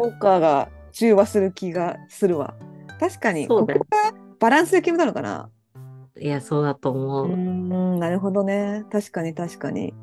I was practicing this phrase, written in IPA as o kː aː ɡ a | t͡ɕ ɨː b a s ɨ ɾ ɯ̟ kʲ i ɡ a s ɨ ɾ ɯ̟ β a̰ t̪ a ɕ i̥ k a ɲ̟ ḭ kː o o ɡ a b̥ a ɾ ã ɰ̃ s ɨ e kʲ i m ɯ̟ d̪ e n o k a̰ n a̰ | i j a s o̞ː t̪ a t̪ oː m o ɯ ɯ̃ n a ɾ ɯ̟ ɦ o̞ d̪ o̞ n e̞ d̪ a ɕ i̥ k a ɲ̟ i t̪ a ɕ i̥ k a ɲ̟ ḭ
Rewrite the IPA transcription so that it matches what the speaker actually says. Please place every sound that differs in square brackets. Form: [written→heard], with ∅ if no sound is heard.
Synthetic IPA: o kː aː ɡ a | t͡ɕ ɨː [b→β] a s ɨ ɾ ɯ̟ kʲ i ɡ a s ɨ ɾ ɯ̟ β a̰ t̪ a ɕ i̥ k a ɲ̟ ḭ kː o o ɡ a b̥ a ɾ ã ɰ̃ s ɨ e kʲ i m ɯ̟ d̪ [e→a] n o k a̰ n a̰ | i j a s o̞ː [t̪→d̪] a t̪ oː m o ɯ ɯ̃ n a ɾ ɯ̟ ɦ o̞ d̪ o̞ n e̞ [d̪→t̪] a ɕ i̥ k a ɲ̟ i t̪ a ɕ i̥ k a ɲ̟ ḭ